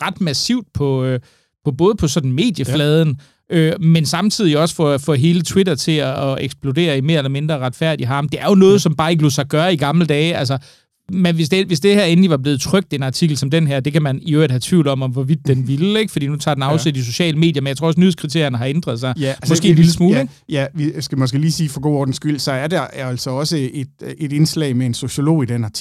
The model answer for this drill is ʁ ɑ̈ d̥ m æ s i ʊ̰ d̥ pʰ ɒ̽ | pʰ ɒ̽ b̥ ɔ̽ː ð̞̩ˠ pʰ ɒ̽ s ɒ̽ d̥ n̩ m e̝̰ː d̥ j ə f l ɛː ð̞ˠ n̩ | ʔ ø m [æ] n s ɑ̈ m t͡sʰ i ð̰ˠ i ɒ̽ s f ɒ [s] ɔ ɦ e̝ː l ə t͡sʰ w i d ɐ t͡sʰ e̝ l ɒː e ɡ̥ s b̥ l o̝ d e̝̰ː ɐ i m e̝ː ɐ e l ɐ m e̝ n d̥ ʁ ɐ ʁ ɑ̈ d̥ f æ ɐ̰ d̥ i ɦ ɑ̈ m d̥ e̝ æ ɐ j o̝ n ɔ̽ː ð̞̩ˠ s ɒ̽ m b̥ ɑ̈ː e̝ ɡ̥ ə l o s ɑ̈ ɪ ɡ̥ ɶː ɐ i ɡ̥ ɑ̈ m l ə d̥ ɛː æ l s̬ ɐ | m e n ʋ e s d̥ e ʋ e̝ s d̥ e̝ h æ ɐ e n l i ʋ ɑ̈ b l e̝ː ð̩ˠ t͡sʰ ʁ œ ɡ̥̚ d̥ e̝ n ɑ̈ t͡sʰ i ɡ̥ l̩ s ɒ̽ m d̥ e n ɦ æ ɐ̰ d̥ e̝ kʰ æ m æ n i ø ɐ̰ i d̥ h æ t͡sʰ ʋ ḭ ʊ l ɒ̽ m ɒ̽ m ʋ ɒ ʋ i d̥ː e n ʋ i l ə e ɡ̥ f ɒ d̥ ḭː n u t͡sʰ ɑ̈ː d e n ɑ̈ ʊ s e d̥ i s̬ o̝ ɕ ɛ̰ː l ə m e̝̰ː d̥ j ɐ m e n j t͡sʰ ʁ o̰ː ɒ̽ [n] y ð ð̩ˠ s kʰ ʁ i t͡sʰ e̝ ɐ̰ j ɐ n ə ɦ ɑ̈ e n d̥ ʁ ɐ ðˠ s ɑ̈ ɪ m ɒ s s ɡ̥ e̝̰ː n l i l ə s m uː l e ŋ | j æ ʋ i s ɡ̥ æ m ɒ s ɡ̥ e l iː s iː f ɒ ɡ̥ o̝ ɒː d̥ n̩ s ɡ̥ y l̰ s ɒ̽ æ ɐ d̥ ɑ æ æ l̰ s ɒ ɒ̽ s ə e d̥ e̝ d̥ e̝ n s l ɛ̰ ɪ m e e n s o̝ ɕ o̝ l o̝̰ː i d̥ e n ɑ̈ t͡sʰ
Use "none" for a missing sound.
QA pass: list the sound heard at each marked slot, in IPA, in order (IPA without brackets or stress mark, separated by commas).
e, f, n